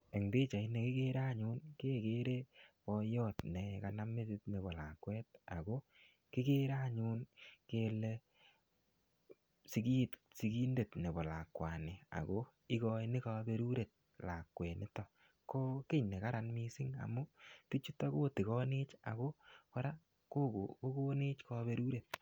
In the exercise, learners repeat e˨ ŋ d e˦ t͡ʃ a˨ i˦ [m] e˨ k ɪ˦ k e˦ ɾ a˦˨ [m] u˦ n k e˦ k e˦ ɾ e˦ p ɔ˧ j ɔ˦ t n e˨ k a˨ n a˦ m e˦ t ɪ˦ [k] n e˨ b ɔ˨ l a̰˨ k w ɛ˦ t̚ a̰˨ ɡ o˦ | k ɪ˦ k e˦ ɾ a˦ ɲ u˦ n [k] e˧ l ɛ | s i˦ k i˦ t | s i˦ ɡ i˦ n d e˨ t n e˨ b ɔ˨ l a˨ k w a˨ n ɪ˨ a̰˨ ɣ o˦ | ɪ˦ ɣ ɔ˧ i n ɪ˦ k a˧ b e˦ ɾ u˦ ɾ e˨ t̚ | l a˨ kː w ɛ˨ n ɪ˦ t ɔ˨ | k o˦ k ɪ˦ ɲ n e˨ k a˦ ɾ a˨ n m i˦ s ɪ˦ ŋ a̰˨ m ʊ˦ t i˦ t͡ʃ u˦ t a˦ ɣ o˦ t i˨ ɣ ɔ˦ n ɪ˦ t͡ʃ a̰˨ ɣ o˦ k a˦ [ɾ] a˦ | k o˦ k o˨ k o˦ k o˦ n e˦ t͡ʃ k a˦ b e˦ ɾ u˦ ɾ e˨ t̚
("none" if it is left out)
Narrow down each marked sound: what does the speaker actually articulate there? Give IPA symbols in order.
n, ɲ, t, k, ɾ

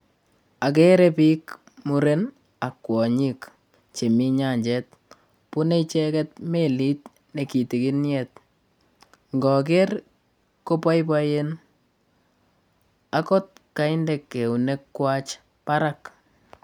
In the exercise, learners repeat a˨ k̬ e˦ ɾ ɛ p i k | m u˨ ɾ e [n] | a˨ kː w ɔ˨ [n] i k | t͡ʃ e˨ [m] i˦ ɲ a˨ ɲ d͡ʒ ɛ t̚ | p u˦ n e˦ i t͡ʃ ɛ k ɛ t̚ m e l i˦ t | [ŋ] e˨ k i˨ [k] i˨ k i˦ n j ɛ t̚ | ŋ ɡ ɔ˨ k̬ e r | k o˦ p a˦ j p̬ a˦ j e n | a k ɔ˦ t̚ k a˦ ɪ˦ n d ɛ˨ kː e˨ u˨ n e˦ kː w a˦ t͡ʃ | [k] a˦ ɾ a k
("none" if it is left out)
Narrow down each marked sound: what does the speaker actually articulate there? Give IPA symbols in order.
n, ɲ, m, n, t, p

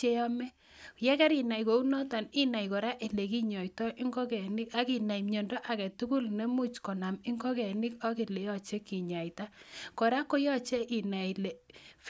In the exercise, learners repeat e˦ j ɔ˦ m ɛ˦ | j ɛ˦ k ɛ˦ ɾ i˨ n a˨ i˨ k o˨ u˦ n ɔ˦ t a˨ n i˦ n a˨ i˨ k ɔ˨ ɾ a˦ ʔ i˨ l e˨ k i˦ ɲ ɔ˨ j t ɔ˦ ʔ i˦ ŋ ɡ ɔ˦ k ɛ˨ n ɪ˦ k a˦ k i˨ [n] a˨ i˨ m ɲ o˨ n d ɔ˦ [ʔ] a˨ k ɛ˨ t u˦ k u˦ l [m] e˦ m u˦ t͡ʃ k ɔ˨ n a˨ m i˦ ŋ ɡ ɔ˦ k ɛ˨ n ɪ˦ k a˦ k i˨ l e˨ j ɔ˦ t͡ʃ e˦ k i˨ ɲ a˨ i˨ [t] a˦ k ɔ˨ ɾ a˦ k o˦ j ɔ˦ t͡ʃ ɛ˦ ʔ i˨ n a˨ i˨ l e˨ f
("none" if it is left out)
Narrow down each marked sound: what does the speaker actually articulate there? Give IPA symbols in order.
n, ʔ, n, t

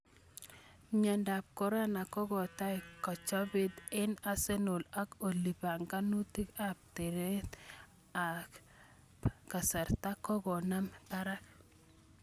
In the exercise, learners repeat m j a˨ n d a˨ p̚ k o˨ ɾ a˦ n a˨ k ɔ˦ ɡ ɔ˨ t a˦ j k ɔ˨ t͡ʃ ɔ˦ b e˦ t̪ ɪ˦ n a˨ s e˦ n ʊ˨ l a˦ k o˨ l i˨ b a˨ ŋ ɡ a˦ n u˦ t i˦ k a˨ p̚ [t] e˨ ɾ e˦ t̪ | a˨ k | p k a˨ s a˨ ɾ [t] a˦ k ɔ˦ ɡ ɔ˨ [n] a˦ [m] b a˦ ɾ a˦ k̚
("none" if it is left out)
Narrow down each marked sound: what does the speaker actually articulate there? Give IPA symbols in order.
t, t, n, m

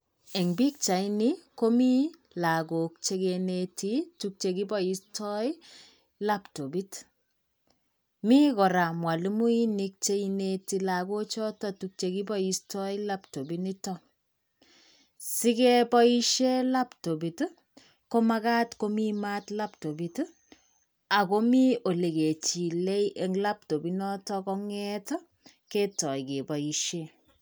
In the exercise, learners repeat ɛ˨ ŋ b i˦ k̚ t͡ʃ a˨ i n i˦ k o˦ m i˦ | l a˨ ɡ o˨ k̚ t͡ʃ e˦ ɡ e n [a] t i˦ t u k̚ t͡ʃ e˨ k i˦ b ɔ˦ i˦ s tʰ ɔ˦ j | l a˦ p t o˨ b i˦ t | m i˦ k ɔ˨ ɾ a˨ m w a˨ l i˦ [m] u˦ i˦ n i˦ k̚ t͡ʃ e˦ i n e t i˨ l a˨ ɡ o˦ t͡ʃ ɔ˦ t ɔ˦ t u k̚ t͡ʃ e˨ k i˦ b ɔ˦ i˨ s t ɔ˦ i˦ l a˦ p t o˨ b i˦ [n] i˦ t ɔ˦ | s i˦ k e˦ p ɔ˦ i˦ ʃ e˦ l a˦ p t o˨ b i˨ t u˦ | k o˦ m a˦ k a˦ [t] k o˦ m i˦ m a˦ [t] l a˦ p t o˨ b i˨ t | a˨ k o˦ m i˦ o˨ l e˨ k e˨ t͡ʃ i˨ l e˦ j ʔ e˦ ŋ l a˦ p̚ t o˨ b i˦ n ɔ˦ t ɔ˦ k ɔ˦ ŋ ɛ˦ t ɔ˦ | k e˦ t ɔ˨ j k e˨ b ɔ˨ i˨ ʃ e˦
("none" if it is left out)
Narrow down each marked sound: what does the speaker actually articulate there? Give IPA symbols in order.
e, m, n, t, t

